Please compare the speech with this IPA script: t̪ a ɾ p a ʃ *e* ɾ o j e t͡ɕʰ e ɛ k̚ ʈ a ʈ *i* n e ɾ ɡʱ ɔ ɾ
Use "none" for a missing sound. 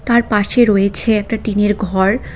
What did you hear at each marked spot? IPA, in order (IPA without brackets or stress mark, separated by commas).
e, i